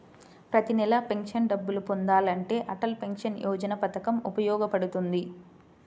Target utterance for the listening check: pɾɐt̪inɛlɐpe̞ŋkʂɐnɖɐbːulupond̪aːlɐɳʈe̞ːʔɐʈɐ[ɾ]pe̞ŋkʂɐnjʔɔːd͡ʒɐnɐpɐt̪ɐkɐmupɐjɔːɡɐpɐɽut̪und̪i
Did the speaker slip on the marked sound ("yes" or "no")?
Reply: yes